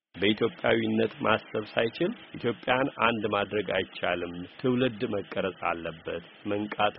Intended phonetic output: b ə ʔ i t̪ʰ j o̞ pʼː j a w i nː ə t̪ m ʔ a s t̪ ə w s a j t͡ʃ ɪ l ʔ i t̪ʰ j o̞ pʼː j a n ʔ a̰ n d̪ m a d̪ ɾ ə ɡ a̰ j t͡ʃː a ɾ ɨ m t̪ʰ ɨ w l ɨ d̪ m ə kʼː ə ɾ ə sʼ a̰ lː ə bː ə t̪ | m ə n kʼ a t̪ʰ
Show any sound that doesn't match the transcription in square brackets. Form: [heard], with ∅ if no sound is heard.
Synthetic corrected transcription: b ə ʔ i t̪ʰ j o̞ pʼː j a w i nː ə t̪ m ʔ a s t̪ ə [β] s a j t͡ʃ ɪ l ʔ i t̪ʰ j o̞ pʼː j a n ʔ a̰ n d̪ m a d̪ ɾ ə ɡ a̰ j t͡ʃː a [l] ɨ m t̪ʰ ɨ w l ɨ d̪ m ə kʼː ə ɾ ə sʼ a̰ lː ə bː ə t̪ | m ə [ŋ] kʼ a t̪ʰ